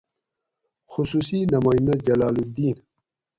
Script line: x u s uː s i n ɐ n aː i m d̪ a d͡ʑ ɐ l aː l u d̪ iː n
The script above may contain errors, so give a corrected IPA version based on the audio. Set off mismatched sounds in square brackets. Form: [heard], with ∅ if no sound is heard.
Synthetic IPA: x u s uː s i n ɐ [m] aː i [n] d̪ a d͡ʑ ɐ l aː l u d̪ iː n